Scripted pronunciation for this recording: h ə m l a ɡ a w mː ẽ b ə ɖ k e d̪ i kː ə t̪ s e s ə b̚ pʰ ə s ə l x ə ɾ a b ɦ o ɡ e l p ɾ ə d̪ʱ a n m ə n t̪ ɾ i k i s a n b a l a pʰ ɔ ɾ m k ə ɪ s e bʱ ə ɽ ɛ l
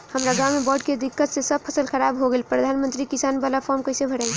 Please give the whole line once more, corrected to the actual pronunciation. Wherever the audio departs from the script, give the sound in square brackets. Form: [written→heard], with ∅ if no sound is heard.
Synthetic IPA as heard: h ə m [l→ɾ] a ɡ a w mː [ẽ→e] b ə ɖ k e d̪ i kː ə t̪ s e s ə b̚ pʰ ə s ə l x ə ɾ a b ɦ o ɡ e l p ɾ ə d̪ʱ a n m ə n t̪ ɾ i k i s a n b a l a pʰ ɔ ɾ m k ə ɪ s e bʱ ə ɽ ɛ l